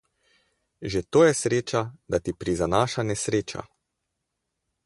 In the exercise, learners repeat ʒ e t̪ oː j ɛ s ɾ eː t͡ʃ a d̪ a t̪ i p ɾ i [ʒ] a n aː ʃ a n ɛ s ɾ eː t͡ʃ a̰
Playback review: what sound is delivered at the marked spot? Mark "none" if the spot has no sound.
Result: z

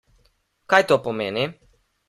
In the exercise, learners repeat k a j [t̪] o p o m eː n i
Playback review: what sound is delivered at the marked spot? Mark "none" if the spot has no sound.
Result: t̪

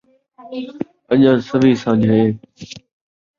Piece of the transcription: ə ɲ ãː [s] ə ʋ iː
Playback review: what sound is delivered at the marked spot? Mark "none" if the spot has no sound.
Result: s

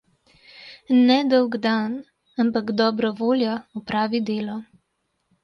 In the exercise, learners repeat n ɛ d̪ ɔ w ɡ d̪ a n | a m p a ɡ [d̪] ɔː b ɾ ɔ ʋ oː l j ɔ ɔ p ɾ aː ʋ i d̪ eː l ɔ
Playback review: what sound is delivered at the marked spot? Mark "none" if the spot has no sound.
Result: d̪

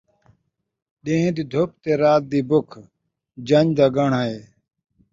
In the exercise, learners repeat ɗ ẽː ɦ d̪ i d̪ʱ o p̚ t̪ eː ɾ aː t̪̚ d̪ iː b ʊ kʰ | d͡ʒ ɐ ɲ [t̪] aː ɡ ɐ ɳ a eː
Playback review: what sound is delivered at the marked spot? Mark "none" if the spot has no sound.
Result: d̪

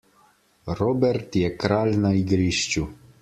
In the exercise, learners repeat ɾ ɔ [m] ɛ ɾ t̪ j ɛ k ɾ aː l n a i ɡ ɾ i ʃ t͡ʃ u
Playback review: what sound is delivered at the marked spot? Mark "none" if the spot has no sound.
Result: b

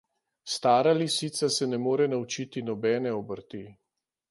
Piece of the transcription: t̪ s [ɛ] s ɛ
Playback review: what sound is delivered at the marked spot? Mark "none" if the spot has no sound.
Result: a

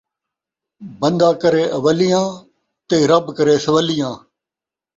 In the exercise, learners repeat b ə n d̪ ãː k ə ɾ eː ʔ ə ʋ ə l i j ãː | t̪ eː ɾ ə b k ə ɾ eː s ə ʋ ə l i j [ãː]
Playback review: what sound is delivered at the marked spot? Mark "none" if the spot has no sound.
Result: ãː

